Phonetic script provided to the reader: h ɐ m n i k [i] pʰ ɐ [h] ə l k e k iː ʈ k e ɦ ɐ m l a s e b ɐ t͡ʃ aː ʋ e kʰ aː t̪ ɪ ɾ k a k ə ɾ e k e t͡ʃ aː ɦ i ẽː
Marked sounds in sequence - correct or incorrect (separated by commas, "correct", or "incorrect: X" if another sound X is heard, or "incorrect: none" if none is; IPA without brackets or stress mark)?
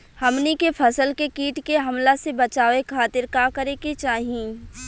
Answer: incorrect: e, incorrect: s